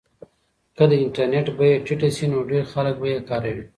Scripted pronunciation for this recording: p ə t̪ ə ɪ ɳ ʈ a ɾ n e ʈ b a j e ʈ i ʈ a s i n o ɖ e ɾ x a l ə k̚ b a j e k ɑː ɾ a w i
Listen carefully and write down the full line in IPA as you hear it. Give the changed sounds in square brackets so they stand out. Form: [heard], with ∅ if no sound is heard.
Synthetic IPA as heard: [k] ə [d̪] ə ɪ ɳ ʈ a ɾ n e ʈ b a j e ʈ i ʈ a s i n o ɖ e ɾ x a l ə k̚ b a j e k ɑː ɾ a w i

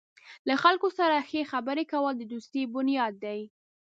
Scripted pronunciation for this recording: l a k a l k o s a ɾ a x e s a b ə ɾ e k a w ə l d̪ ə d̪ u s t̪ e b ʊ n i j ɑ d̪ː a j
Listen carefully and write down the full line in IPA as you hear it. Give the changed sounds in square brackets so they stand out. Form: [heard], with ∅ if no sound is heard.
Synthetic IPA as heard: l a [x] a l k o s a ɾ a x e [x] a b ə ɾ e k a w ə l d̪ ə d̪ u s t̪ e b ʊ n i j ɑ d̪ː a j

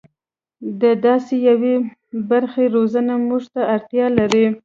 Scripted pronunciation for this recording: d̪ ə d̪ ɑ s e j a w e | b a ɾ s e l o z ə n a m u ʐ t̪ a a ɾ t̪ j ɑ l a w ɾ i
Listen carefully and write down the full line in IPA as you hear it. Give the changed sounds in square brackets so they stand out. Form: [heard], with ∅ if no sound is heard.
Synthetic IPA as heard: d̪ ə d̪ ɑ s e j a w e | b a ɾ [x] e [ɾ] o z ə n a m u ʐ t̪ a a ɾ t̪ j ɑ l a [∅] ɾ i

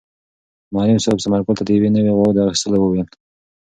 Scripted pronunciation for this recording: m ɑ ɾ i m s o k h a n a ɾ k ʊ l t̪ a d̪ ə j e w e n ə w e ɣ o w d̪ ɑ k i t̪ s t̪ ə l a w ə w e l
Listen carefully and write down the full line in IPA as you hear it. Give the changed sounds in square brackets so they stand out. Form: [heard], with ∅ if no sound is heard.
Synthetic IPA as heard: m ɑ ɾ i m s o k [s] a [m] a ɾ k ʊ l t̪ a d̪ ə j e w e n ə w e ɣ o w d̪ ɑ [x] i [∅] s t̪ ə l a w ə w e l

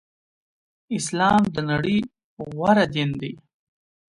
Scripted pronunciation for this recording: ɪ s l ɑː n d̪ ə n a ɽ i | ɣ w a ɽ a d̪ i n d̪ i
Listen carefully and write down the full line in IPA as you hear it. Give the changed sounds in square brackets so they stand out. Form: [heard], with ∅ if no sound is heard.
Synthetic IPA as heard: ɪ s l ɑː [m] d̪ ə n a ɽ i | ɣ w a [ɾ] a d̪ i n d̪ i

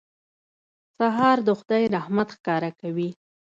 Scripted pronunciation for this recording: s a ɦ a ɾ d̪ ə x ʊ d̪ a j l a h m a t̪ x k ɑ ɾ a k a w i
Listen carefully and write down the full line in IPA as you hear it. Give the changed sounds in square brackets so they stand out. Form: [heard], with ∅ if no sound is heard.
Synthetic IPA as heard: s a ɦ [ɑ] ɾ d̪ ə x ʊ d̪ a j [ɾ] a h m a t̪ x k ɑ ɾ a k a w i

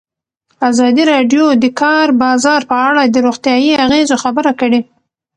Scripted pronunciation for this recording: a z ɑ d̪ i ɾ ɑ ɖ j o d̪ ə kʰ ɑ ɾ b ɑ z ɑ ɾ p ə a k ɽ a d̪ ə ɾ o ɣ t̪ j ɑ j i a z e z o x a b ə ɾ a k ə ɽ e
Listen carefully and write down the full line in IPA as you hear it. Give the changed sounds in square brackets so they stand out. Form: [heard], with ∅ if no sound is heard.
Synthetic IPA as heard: a z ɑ d̪ i ɾ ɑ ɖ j o d̪ ə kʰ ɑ ɾ b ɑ z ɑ ɾ p ə a [∅] ɽ a d̪ ə ɾ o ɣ t̪ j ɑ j i a [ɣ] e z o x a b ə ɾ a k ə ɽ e

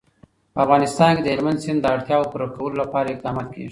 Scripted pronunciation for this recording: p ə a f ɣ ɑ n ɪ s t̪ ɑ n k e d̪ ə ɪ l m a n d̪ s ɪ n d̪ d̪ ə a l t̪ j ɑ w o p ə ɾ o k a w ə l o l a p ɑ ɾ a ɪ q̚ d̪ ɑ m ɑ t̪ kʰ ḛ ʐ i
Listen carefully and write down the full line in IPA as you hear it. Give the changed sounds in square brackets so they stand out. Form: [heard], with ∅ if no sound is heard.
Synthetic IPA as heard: p ə a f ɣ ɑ n ɪ s t̪ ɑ n k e d̪ ə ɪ l m a n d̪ s ɪ n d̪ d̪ ə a [ɽ] t̪ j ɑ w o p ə ɾ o k a w ə l o l a p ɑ ɾ a ɪ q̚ d̪ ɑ m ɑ t̪ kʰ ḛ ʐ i

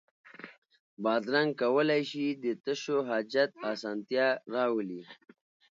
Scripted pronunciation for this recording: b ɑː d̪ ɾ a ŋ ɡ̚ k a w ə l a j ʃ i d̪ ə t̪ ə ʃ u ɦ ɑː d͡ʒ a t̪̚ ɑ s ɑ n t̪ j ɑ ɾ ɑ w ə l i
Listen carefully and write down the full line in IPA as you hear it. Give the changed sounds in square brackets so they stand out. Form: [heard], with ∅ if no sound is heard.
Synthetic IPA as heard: b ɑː d̪ ɾ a ŋ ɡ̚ k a w ə l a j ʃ i d̪ ə t̪ ə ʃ [o] ɦ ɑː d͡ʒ a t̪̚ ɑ s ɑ n t̪ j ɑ ɾ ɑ w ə l i

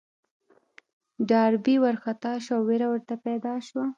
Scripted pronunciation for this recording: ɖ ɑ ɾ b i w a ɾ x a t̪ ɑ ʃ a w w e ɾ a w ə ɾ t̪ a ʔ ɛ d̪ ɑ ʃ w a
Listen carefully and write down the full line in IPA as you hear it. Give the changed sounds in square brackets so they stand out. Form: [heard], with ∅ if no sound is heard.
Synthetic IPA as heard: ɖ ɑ ɾ b i w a ɾ x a t̪ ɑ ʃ a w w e ɾ a w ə ɾ t̪ a [p] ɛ d̪ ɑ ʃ w a

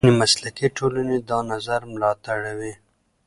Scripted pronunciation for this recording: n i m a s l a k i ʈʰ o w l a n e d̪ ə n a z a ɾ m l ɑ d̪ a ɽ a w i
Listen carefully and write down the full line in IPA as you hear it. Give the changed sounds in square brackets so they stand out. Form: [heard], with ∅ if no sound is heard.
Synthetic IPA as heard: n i m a s l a k i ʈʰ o [∅] l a n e d̪ [ɑ] n a z a ɾ m l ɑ [t̪] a ɽ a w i

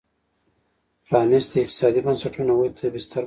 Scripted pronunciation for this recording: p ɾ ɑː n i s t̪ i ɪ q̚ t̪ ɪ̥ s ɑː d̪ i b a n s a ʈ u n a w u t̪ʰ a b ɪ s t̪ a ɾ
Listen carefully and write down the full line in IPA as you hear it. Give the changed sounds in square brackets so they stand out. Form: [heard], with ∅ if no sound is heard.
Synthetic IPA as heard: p ɾ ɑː n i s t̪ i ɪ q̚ t̪ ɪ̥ s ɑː d̪ i b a n s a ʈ u n a w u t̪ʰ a b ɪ s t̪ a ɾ

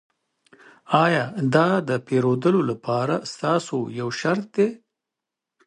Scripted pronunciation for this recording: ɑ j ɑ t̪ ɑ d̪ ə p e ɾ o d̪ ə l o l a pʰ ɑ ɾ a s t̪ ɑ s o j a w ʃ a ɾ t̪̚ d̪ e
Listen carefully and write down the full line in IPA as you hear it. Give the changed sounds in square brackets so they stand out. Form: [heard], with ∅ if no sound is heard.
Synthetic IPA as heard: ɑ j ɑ [d̪] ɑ d̪ ə p e ɾ o d̪ ə l o l a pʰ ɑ ɾ a s t̪ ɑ s o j a w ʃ a ɾ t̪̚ d̪ e

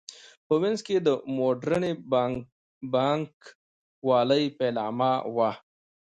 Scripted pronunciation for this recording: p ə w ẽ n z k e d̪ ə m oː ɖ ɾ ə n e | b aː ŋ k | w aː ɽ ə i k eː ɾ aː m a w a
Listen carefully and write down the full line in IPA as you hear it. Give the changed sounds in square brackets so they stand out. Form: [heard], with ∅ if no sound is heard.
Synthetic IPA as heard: p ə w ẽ n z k e d̪ ə m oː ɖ ɾ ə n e | b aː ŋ k | w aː [l] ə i [p] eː [l] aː m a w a

